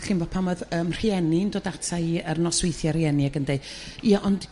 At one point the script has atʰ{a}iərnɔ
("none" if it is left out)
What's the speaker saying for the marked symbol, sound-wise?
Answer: a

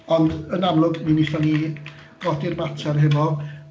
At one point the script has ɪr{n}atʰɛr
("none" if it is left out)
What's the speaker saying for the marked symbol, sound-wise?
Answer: m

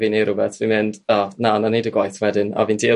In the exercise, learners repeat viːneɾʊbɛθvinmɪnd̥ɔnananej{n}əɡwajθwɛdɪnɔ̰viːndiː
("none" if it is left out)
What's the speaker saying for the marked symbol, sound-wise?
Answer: d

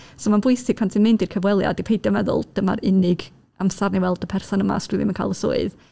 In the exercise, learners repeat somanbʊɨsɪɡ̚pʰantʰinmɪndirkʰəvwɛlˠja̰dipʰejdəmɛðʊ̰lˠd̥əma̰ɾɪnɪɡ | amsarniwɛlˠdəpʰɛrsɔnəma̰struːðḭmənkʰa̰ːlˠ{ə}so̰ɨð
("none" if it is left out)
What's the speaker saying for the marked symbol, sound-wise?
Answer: ə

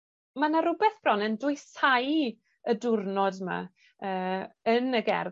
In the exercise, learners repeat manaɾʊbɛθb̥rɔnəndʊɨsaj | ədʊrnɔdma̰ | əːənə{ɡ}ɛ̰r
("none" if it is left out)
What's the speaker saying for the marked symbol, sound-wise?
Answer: ɡ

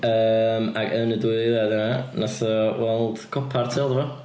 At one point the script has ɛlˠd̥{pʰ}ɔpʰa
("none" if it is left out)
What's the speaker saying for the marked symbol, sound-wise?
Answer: kʰ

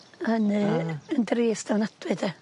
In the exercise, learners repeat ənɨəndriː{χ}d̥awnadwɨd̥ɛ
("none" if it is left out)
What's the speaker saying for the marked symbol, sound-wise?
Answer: s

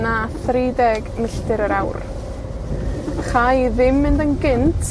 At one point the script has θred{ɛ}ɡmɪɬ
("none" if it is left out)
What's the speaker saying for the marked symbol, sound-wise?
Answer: ɛ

